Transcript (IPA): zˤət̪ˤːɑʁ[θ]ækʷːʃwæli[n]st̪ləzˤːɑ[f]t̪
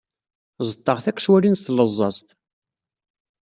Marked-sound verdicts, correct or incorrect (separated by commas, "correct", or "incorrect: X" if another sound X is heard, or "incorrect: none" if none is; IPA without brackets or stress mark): correct, correct, incorrect: s